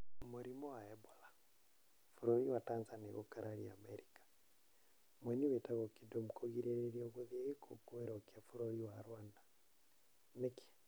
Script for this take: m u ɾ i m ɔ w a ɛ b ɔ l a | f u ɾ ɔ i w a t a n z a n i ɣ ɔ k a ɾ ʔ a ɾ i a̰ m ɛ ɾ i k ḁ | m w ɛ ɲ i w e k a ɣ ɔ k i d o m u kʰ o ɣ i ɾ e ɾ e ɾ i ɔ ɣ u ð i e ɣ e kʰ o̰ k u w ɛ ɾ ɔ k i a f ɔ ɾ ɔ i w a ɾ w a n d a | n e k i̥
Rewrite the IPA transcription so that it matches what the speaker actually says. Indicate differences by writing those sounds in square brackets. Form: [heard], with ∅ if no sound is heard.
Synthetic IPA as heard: m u ɾ i m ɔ w a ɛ b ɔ l a | f u ɾ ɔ i w a t a n z a n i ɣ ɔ k a ɾ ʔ a ɾ i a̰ m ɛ ɾ i k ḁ | m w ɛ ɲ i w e [t] a ɣ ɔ k i d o m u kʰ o ɣ i ɾ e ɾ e ɾ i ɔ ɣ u ð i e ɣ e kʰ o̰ k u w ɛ ɾ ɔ k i a f [u] ɾ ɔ i w a ɾ w a n d a | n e k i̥

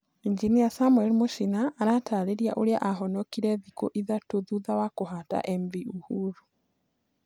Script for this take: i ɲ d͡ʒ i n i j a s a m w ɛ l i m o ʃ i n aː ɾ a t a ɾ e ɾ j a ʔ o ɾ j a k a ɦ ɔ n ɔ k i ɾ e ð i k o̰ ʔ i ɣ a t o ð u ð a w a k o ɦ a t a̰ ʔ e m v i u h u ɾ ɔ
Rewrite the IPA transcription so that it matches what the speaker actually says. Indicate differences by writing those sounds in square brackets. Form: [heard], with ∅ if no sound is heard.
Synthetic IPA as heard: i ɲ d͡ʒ i n i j a s a m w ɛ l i m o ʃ i n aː ɾ a t a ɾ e ɾ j a ʔ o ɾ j a [ʔ] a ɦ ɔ n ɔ k i ɾ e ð i k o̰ ʔ i [ð] a t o ð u ð a w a k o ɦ a t a̰ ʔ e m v i u h u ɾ [u]

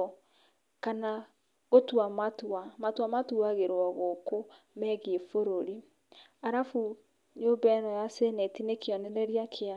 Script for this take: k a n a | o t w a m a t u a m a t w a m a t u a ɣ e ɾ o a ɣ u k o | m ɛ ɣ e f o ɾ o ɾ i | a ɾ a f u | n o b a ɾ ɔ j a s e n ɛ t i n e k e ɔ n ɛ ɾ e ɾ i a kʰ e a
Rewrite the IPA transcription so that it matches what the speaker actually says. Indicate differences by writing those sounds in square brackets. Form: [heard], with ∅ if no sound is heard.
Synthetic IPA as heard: k a n a | o t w a m a t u a m a t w a m a t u a ɣ e ɾ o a ɣ [o] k o | m ɛ ɣ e f o ɾ o ɾ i | a ɾ a f u | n o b [ɛ] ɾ ɔ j a s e n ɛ t i n e k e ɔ n ɛ ɾ [ɛ] ɾ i a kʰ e a

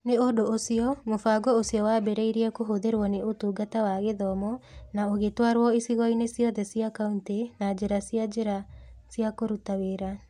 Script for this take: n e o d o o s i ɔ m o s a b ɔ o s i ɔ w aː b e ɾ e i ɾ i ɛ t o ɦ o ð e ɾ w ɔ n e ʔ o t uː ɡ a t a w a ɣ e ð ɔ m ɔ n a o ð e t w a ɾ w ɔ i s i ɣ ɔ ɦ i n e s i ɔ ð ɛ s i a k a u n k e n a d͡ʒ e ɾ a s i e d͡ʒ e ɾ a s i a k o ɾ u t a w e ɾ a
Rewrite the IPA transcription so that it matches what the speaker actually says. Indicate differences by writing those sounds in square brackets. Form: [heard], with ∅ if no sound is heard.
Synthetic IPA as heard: n e o d o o s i ɔ m o [f] a [ɡ] ɔ o s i ɔ w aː b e ɾ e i ɾ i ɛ [k] o ɦ o ð e ɾ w ɔ n e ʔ o t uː ɡ a t a w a ɣ e ð ɔ m ɔ n a o [ɣ] e t w a ɾ w ɔ i s i ɣ ɔ [∅] i n e s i ɔ ð ɛ s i a k a u n [t] e n a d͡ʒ e ɾ a s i [a] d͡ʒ e ɾ a s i a k o ɾ u t a w e ɾ a

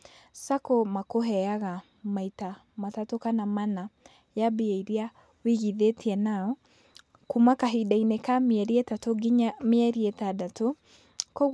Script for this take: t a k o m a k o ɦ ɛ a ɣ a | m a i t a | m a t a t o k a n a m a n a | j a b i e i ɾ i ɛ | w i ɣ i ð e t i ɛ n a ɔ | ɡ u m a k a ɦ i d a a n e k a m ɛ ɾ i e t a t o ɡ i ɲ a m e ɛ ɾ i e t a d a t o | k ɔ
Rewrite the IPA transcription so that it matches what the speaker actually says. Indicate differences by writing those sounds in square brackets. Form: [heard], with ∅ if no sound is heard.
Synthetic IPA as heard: [s] a k o m a k o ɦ ɛ a ɣ a | m a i t a | m a t a t o k a n a m a n a | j a b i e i ɾ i [a] | w i ɣ i ð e t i ɛ n a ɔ | [k] u m a k a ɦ i d a [i] n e k a m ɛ ɾ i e t a t o ɡ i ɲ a m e ɛ ɾ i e t a d a t o | k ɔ

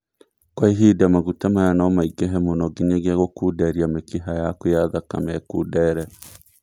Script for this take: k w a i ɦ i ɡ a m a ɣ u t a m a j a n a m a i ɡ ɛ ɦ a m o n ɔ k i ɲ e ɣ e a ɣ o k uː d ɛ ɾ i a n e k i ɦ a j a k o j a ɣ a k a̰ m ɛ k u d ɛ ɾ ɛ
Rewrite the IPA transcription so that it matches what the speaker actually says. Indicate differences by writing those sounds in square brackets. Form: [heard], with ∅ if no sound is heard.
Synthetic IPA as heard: k w a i ɦ i [d] a m a ɣ u t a m a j a n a m a i ɡ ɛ ɦ [ɛ] m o n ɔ [ɡ] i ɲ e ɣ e a ɣ o k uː d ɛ ɾ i a [m] e k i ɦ a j a k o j a [ð] a k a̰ m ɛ k u d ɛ ɾ ɛ

